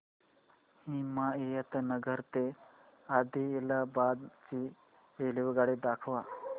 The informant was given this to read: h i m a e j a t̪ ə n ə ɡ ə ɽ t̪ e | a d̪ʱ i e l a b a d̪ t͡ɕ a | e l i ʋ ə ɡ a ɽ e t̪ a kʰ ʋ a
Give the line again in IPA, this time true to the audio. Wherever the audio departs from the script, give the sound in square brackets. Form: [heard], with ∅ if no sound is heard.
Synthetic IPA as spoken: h i m a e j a t̪ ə n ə ɡ ə [ɾ] t̪ e | a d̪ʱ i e l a b a d̪ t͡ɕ [i] | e l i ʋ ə ɡ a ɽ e [d̪] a kʰ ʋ a